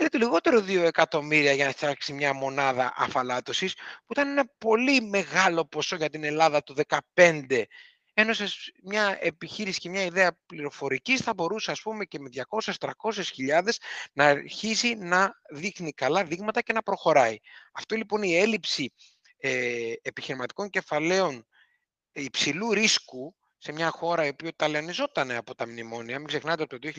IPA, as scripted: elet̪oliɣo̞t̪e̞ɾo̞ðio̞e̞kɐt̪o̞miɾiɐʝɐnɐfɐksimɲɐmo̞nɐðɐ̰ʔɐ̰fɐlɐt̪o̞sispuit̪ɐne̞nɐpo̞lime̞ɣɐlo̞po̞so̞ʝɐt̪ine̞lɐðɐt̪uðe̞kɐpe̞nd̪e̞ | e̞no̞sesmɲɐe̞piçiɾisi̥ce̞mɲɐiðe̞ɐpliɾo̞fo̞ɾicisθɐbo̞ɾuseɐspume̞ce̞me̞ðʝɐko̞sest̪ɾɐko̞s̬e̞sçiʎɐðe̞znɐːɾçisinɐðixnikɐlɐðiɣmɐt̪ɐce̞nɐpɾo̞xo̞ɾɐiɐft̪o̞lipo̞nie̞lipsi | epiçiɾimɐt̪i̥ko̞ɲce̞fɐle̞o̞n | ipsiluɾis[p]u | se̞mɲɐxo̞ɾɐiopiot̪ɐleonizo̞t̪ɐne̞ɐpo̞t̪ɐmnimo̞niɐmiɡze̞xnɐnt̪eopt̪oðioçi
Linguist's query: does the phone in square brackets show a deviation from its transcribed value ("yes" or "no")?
yes